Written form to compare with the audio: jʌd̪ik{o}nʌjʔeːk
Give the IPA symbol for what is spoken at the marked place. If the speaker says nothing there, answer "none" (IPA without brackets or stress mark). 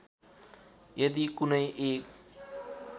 u